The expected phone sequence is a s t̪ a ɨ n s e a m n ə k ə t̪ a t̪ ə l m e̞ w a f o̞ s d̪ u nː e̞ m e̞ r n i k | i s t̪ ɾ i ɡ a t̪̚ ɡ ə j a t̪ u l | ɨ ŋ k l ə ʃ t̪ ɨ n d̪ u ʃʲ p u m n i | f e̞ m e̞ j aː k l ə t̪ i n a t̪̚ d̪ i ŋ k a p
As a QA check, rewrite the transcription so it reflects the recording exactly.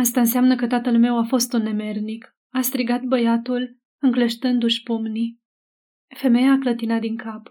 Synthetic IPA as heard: a s t̪ a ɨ n s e a m n ə k ə t̪ a t̪ ə l m e̞ w a f o̞ s t̪ u nː e̞ m e̞ r n i k | a s t̪ ɾ i ɡ a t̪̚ b ə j a t̪ u l | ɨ ŋ k l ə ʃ t̪ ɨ n d̪ u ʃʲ p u m n i | f e̞ m e̞ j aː k l ə t̪ i n a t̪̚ d̪ i ŋ k a p